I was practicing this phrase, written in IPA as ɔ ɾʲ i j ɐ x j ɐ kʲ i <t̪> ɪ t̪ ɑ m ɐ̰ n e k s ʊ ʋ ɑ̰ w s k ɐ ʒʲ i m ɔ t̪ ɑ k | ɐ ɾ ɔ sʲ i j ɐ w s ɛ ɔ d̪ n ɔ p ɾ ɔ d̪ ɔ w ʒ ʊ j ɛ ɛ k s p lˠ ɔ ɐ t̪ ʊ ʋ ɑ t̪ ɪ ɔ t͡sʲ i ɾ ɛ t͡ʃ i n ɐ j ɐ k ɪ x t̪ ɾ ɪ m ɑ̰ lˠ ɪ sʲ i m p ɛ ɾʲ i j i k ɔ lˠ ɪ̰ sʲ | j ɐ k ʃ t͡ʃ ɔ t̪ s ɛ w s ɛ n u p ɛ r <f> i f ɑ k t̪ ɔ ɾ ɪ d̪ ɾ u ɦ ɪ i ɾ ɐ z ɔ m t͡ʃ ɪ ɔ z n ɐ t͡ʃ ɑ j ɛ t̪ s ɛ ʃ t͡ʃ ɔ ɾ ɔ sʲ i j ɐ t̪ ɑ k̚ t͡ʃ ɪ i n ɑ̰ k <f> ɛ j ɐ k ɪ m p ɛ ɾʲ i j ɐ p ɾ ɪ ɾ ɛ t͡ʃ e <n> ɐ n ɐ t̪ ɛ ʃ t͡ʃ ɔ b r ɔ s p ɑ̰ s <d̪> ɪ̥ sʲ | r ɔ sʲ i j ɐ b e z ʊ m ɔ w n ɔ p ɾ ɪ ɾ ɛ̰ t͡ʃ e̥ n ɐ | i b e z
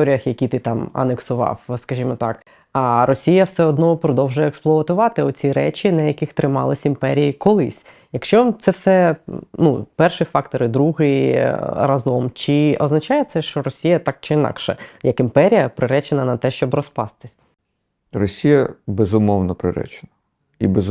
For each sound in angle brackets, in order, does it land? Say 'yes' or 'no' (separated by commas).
yes, no, no, yes, no